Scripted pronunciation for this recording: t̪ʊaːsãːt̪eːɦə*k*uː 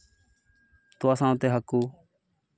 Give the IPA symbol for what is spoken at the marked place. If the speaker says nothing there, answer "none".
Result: k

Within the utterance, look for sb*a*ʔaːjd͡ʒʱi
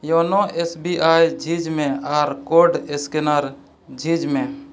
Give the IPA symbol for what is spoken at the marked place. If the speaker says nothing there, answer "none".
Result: i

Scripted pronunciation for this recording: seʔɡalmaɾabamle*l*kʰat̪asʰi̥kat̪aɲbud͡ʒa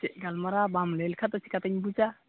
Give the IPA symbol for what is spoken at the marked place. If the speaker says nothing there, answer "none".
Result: l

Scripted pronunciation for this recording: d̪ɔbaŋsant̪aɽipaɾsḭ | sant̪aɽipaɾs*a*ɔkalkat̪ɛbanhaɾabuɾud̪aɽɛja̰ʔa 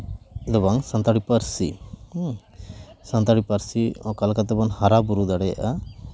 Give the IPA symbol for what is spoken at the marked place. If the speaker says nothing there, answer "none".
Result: i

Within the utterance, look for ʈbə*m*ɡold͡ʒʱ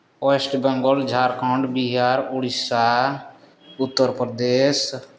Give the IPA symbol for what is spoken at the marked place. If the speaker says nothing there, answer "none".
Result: ŋ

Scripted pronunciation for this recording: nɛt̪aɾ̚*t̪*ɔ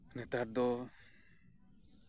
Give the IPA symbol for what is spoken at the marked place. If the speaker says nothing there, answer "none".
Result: d̪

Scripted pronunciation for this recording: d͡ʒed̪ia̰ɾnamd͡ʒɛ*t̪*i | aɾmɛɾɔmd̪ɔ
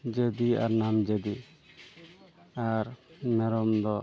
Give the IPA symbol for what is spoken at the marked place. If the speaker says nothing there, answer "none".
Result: d̪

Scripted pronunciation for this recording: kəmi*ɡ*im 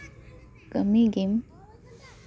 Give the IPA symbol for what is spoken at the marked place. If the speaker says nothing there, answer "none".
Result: ɡ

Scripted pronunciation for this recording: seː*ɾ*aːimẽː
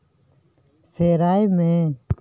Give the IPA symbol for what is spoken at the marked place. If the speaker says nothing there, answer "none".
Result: ɾ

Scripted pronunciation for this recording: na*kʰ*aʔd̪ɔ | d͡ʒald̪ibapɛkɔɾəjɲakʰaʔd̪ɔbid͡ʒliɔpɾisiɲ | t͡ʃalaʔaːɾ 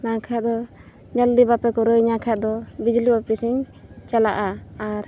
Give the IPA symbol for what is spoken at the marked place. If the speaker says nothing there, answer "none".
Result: kʰ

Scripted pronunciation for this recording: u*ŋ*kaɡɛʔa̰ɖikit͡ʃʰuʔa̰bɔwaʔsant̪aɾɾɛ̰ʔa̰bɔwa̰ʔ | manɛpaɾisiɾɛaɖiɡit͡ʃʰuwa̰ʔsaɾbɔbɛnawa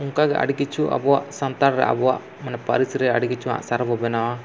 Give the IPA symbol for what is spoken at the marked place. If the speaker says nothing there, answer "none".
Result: ŋ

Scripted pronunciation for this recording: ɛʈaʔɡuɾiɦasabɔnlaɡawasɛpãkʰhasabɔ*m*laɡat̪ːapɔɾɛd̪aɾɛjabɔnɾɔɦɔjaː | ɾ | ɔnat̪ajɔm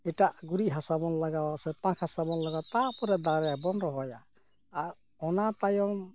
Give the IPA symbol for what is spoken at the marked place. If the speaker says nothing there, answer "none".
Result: n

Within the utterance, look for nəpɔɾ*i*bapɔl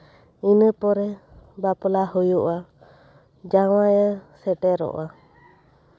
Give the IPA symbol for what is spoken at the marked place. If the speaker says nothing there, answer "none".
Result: ɛ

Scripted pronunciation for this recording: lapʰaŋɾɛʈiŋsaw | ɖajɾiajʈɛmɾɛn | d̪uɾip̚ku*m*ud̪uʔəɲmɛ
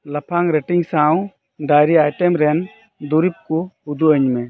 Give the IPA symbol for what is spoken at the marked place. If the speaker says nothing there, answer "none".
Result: none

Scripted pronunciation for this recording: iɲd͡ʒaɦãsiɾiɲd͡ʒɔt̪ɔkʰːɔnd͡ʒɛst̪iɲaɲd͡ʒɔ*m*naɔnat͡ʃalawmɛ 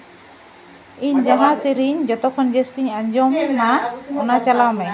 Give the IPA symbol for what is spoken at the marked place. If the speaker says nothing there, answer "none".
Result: m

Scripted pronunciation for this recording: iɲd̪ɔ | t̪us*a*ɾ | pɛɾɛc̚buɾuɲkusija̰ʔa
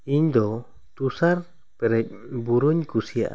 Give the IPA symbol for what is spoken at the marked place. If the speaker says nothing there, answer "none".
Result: a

